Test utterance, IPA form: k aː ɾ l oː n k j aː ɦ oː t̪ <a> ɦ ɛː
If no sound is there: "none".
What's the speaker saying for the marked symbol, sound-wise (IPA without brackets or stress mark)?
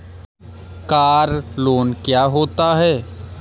a